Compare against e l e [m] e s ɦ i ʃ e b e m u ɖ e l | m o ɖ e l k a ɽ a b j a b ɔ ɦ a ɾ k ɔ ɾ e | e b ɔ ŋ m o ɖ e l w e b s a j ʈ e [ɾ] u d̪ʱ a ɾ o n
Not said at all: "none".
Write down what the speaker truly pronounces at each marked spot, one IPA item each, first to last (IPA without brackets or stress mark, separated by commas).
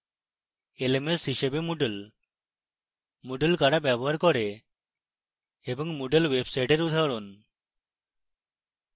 m, ɾ